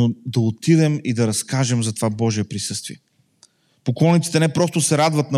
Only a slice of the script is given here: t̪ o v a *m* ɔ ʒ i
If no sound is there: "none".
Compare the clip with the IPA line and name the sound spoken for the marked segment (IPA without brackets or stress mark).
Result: b